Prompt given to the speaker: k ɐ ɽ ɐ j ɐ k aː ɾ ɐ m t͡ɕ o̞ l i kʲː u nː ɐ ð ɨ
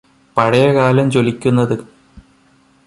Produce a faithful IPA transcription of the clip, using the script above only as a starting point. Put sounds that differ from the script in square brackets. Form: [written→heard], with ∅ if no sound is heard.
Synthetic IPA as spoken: [k→p] ɐ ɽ ɐ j ɐ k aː [ɾ→l] ɐ m t͡ɕ o̞ l i kʲː u nː ɐ ð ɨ